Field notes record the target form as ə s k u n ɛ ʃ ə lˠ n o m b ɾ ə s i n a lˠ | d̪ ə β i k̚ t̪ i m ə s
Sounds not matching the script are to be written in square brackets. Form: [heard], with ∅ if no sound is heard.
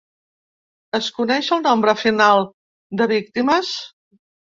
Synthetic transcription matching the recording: ə s k u n ɛ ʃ ə lˠ n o m b ɾ ə [f] i n a lˠ | d̪ ə β i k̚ t̪ i m ə s